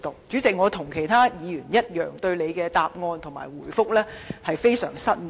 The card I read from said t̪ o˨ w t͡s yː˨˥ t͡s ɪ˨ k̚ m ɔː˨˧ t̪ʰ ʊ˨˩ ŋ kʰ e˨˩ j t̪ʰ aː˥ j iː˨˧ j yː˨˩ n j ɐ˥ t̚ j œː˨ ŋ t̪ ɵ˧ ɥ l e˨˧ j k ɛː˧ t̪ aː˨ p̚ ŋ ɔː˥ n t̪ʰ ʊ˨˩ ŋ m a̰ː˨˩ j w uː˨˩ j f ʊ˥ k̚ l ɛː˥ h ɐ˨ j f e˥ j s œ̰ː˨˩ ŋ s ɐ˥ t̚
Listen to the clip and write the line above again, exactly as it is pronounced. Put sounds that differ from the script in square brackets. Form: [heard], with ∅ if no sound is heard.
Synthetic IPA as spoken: t̪ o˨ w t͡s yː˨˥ t͡s ɪ˨ k̚ [ŋ] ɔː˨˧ t̪ʰ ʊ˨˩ ŋ kʰ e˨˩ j t̪ʰ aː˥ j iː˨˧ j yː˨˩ n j ɐ˥ t̚ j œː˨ ŋ t̪ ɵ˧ ɥ l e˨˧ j k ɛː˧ t̪ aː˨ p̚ ŋ [ɔː˧] n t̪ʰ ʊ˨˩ ŋ m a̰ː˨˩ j w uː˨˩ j f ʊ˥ k̚ l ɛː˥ h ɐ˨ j f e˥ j s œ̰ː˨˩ ŋ s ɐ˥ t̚